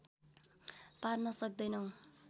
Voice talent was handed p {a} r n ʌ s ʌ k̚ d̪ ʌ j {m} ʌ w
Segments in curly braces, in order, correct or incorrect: correct, incorrect: n

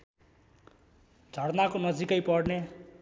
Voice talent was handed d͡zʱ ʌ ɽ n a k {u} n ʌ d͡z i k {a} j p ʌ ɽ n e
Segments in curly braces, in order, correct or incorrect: incorrect: o, incorrect: ʌ

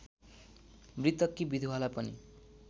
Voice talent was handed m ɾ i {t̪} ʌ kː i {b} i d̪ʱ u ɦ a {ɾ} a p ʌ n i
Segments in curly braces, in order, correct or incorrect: correct, correct, incorrect: l

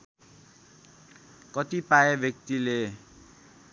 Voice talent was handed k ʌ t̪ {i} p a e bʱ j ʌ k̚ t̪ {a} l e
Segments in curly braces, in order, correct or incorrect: correct, incorrect: i

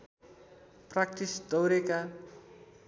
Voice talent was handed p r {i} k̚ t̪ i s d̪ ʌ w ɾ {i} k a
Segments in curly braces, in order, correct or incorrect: incorrect: a, incorrect: e

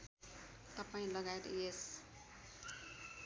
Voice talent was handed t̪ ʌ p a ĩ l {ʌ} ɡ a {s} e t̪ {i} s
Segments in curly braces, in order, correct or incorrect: correct, incorrect: none, incorrect: e

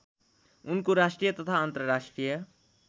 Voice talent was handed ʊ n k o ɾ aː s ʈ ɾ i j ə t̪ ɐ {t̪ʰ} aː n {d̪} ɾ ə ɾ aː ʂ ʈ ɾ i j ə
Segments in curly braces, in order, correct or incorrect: correct, incorrect: t̪

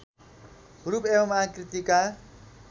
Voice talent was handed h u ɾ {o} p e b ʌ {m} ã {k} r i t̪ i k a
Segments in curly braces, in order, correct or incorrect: incorrect: u, correct, correct

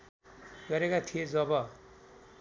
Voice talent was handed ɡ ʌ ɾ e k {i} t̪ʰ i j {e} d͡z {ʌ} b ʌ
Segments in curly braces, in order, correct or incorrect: incorrect: a, correct, correct

